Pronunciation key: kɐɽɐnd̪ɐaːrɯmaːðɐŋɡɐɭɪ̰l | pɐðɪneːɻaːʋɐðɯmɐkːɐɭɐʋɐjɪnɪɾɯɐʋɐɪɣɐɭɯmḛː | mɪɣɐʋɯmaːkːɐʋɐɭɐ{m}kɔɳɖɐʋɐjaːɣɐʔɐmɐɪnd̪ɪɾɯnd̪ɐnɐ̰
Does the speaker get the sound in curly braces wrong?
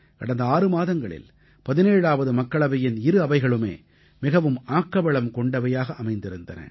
no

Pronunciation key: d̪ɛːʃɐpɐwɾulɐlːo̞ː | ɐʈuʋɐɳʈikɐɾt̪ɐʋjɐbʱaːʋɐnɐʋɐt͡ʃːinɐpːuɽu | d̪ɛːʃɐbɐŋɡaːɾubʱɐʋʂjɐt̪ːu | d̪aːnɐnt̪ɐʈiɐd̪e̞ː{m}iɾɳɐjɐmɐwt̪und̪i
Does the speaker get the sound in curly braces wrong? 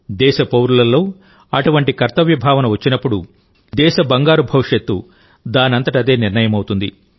yes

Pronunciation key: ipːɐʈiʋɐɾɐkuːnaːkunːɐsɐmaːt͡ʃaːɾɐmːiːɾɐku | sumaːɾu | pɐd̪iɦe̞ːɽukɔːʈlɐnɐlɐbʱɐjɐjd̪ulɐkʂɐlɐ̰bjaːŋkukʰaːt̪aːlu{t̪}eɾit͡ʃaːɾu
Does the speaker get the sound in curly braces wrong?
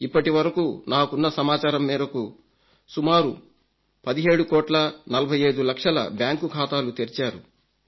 no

